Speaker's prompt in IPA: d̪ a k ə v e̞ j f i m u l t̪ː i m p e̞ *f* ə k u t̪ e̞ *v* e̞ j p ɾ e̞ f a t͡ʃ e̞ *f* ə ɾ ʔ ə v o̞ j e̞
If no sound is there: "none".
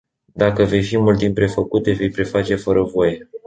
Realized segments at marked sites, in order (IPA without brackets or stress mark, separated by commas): f, v, f